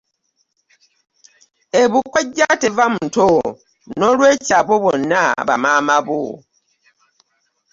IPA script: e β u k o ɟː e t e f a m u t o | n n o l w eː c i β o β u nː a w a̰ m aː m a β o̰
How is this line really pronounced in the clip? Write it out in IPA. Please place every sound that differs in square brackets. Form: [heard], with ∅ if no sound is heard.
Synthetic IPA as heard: e β u k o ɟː [a] t e [v] a m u t o | n n o l w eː c [a] β o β [o] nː a [β] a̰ m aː m a β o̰